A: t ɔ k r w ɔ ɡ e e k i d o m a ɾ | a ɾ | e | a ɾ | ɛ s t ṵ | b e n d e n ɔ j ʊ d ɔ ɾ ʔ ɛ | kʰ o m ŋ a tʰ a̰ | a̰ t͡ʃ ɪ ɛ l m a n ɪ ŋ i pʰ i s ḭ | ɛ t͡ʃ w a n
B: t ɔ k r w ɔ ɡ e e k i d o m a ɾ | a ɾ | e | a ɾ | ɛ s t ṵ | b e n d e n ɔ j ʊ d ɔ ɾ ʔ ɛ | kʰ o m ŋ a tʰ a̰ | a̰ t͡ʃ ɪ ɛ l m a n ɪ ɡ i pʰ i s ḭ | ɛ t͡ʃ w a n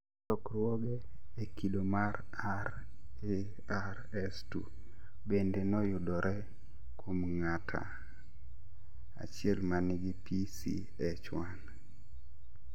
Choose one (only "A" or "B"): B